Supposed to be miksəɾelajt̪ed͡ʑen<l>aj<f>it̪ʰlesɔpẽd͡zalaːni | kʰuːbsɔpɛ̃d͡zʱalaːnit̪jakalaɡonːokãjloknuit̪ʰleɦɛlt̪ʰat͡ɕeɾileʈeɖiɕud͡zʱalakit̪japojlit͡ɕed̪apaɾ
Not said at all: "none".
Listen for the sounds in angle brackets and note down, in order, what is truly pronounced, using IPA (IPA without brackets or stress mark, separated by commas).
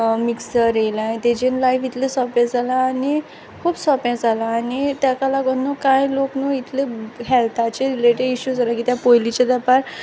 l, f